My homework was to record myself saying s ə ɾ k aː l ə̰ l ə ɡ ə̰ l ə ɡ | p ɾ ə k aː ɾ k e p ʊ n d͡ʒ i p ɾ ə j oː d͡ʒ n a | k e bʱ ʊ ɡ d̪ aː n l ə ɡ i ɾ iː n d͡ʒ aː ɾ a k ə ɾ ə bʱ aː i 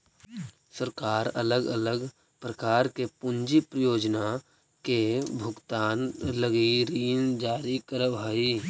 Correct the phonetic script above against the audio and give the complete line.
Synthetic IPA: s ə ɾ k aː ɾ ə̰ l ə ɡ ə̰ l ə ɡ | p ɾ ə k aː ɾ k e p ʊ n d͡ʒ i p ɾ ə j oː d͡ʒ n a | k e bʱ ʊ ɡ t̪ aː n l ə ɡ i ɾ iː n d͡ʒ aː ɾ i k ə ɾ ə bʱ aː i